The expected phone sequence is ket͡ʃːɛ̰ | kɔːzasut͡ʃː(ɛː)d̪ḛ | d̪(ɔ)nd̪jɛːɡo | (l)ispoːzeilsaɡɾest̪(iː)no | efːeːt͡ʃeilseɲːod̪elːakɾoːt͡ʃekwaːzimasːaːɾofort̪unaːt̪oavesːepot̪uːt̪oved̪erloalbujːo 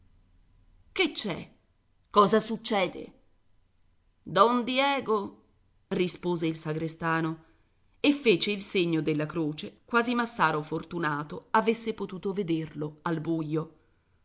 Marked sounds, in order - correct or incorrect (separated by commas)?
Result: correct, correct, incorrect, incorrect